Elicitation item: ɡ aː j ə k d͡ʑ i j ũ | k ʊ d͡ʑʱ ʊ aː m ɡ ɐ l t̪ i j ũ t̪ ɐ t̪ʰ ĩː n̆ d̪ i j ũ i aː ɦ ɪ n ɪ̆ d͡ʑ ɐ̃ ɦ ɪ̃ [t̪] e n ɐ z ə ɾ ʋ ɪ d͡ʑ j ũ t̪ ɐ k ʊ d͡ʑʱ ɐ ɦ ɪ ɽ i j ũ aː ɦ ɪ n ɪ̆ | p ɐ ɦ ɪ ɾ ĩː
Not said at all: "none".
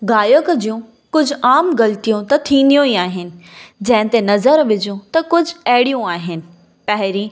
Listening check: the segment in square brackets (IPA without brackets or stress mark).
t̪